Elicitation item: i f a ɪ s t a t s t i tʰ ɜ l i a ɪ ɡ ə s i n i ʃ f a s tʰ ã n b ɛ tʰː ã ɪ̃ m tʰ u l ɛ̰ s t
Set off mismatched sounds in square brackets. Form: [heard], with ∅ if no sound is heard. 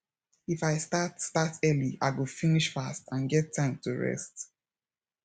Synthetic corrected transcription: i f a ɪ s t a t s t [a] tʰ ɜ l i a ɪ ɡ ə [f] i n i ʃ f a s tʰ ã n [ɡ] ɛ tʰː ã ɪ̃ m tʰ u [ɹ] ɛ̰ s t